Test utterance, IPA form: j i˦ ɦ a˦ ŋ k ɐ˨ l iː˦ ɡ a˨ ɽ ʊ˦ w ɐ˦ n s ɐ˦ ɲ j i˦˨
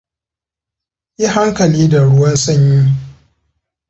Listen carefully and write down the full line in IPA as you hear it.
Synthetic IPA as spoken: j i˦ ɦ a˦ ŋ k ɐ˨ l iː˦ d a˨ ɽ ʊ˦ w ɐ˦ n s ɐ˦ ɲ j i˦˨